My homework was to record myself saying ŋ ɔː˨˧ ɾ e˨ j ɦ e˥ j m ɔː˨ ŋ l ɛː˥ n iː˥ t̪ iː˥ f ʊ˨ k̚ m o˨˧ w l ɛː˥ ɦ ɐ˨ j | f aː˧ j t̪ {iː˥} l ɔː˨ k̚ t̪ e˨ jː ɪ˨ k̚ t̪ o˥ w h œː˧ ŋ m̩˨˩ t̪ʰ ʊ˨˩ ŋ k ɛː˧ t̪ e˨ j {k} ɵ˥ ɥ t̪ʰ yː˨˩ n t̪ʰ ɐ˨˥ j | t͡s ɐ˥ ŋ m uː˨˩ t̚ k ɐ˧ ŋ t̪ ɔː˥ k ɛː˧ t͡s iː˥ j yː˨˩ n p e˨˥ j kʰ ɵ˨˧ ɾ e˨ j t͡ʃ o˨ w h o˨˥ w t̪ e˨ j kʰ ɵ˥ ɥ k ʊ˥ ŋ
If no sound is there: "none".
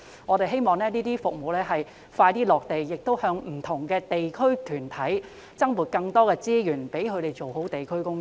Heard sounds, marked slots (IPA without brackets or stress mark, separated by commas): iː˥, kʰ